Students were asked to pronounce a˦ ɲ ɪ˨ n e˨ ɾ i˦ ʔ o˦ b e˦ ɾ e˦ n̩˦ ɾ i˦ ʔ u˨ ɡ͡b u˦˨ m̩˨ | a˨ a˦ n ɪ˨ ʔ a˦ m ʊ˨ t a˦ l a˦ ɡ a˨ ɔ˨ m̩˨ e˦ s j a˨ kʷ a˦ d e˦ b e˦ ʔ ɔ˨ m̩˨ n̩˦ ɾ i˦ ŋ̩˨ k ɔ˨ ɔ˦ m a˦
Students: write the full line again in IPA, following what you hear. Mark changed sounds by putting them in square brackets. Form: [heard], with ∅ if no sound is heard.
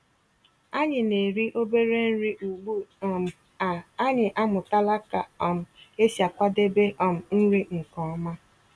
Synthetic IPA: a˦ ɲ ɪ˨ n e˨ ɾ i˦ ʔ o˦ b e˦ ɾ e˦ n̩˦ ɾ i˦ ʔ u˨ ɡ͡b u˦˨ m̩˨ | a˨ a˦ [ɲ] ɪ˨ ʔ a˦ m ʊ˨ t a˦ l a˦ [k] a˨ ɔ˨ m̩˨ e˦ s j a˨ kʷ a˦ d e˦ b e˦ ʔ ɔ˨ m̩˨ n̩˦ ɾ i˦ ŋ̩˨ k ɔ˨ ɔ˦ m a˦